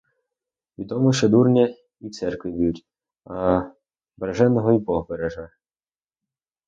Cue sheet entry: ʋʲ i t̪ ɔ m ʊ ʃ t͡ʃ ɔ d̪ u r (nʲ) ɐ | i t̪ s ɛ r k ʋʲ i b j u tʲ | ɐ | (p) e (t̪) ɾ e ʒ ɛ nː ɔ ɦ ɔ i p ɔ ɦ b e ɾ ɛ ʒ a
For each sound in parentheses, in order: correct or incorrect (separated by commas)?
correct, incorrect, incorrect